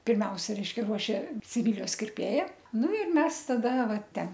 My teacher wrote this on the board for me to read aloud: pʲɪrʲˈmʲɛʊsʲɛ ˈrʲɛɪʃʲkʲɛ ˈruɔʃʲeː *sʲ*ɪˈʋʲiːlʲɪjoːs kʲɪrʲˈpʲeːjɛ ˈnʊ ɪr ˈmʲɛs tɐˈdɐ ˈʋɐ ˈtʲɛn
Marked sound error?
no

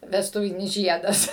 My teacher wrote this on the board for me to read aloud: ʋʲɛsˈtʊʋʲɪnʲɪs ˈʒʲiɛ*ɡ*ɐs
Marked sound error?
yes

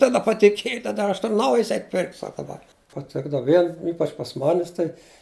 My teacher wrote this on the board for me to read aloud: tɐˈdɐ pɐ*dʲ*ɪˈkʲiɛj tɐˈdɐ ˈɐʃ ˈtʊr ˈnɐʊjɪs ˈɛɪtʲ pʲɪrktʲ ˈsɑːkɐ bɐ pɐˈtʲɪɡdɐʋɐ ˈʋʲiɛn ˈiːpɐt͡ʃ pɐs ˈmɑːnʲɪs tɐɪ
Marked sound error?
yes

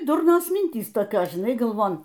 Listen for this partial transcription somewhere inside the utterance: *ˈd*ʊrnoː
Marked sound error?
no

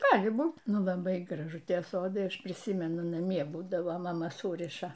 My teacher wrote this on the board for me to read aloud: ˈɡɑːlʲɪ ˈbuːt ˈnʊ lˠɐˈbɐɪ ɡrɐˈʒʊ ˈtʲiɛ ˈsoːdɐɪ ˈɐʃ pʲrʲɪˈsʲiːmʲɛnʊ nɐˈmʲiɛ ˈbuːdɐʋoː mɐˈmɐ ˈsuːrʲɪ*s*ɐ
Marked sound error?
yes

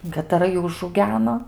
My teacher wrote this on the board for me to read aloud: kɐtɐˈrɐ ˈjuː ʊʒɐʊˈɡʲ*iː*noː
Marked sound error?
yes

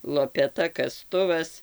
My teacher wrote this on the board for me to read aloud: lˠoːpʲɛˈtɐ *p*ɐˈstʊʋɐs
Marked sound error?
yes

